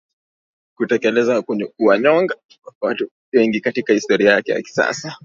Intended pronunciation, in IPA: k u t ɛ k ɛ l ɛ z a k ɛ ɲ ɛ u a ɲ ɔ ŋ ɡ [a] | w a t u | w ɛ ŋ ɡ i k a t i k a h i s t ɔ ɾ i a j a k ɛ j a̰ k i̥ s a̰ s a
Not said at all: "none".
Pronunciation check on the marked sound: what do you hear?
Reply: a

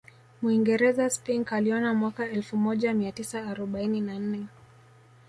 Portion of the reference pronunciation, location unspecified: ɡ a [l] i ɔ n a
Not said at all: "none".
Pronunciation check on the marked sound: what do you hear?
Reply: l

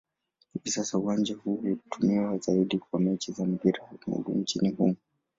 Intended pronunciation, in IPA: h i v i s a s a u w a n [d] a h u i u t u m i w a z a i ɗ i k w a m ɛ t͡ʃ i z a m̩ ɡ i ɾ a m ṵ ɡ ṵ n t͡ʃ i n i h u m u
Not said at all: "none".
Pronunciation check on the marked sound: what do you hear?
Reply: d͡ʒ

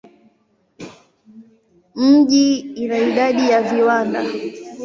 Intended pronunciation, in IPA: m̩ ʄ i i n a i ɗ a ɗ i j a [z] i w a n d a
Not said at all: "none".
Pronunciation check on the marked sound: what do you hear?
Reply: v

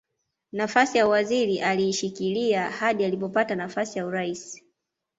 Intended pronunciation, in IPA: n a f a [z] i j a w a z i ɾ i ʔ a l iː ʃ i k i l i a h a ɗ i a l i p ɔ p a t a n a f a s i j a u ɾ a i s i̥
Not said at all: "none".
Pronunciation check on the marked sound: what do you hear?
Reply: s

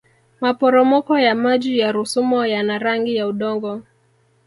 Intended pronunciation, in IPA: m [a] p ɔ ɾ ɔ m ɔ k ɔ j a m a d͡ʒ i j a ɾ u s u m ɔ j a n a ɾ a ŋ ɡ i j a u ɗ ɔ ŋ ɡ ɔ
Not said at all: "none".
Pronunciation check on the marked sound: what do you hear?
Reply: a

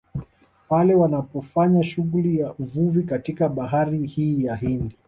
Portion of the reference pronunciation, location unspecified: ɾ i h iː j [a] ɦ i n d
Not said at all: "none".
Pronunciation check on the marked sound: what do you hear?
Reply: a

